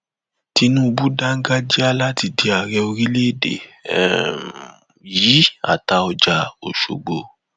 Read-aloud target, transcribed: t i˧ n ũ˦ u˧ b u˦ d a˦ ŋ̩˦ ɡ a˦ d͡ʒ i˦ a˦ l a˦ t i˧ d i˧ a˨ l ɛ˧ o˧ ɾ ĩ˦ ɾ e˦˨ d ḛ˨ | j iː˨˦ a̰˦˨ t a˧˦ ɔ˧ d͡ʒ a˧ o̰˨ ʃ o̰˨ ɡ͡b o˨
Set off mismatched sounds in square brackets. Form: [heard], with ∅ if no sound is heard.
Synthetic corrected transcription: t i˧ n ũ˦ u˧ b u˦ d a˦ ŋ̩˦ ɡ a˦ d͡ʒ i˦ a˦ l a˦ t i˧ d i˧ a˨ [ɾ] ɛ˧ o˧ ɾ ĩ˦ [l] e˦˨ d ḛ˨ | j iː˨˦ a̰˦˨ t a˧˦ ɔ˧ d͡ʒ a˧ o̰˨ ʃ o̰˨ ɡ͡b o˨

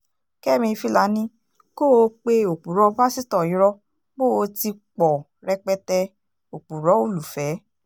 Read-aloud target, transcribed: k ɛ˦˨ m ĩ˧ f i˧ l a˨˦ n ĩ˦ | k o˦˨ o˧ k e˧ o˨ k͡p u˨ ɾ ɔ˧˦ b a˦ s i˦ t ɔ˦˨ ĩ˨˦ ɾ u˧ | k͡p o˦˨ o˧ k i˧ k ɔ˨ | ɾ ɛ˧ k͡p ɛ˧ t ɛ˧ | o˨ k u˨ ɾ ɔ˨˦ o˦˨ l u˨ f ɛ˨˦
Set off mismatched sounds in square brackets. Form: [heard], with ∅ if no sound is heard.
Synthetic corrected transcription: k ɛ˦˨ m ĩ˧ f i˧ l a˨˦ n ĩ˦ | k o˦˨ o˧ [k͡p] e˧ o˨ k͡p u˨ ɾ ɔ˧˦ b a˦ s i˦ t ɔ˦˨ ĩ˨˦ ɾ [ɔ˧] | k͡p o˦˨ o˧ [t] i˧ [k͡p] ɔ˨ | ɾ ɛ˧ k͡p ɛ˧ t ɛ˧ | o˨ [k͡p] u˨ ɾ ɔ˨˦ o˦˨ l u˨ f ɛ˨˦

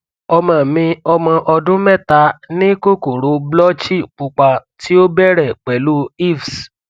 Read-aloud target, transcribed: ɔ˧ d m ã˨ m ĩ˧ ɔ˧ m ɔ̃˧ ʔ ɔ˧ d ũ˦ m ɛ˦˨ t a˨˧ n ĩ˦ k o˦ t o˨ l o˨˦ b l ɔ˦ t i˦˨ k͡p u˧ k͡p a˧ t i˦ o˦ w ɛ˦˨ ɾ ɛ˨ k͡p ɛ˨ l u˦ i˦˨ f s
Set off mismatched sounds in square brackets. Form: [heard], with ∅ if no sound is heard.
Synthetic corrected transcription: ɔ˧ [∅] m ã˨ m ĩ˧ ɔ˧ m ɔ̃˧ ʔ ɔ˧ d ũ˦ m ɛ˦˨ t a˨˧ n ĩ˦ k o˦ [k] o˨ [ɾ] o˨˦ b l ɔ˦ [t͡ʃ] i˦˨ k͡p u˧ k͡p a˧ t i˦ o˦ [b] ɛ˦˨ ɾ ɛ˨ k͡p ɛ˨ l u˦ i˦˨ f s

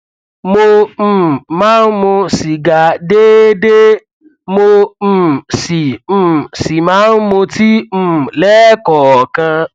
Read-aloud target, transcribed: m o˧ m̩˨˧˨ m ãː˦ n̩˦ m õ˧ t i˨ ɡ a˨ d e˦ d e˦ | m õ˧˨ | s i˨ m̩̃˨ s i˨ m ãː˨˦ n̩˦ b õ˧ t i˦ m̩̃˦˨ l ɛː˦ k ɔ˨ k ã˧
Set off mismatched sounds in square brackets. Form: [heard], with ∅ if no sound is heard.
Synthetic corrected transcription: m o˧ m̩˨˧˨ m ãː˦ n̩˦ m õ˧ [s] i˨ ɡ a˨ d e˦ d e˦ | m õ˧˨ | s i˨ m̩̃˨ s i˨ m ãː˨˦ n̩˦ [m] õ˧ t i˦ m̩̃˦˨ l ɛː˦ k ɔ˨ k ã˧

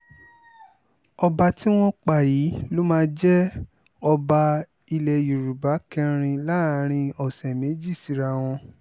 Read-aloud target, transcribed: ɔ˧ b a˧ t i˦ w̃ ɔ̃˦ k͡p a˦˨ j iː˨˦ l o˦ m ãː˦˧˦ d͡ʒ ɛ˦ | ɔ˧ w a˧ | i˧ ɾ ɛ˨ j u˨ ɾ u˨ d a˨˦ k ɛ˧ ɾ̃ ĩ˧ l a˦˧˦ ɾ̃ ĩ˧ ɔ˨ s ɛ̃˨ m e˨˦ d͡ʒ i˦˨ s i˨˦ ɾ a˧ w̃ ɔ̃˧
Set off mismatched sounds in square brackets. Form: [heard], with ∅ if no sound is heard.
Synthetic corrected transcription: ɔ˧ b a˧ t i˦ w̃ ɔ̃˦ k͡p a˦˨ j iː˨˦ l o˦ m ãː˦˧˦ d͡ʒ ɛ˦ | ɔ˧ [b] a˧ | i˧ [l] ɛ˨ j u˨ ɾ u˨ [b] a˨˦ k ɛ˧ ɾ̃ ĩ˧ l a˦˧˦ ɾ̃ ĩ˧ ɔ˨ s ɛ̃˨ m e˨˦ d͡ʒ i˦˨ s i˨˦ ɾ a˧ w̃ ɔ̃˧

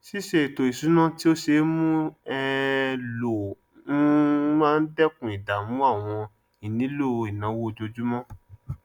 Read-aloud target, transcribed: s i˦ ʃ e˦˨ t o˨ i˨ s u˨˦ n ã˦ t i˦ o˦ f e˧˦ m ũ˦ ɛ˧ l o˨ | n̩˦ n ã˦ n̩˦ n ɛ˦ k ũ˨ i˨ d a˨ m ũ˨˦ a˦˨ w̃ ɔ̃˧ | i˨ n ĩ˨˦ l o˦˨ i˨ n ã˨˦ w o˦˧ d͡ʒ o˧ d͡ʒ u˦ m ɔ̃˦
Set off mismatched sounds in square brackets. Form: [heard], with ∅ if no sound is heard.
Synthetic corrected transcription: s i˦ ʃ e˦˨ t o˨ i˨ s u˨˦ n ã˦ t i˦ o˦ [ʃ] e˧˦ m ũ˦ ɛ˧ l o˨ | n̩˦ [m] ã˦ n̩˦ [d] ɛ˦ k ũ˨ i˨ d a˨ m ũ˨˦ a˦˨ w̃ ɔ̃˧ | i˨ n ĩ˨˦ l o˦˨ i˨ n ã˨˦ w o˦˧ d͡ʒ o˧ d͡ʒ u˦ m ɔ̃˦

